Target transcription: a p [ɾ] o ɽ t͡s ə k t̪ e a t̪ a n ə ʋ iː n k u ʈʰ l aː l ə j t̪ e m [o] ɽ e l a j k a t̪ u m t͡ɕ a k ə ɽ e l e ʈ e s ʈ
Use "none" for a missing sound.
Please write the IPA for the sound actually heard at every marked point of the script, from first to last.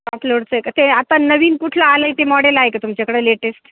l, ɔ

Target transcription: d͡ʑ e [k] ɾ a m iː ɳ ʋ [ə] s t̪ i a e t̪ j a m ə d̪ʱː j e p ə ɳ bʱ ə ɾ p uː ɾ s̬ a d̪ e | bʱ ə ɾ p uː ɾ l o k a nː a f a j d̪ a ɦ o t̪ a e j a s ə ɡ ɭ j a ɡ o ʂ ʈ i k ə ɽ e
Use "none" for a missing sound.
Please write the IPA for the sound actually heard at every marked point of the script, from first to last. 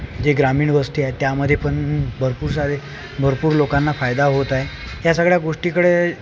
ɡ, ə

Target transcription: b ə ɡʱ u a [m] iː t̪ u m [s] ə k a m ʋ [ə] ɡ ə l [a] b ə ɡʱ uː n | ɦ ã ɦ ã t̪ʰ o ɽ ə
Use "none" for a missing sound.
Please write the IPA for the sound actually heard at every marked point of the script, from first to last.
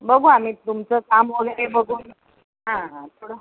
m, t͡s, ə, e

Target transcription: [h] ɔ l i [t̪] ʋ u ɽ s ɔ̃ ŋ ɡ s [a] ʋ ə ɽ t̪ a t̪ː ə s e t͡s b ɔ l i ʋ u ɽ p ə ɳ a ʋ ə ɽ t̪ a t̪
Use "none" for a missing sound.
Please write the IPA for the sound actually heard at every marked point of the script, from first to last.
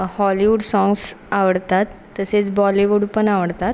h, none, a

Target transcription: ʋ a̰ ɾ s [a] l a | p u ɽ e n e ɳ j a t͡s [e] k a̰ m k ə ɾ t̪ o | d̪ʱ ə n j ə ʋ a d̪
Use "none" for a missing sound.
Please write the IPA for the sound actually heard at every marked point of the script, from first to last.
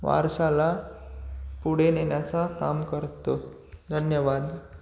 a, a

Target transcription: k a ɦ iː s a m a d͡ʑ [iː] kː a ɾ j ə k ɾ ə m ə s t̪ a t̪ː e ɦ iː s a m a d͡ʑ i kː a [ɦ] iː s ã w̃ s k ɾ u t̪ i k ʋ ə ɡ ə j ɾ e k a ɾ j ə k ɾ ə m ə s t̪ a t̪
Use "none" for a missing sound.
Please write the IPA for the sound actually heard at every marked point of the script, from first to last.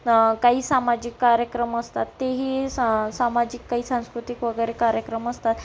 i, ɦ

